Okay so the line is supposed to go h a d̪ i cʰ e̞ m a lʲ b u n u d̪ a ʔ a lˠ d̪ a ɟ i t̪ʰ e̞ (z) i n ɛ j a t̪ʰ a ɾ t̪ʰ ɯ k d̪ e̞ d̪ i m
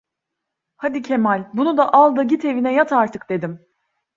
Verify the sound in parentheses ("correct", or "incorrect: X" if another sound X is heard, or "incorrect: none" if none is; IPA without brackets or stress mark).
incorrect: v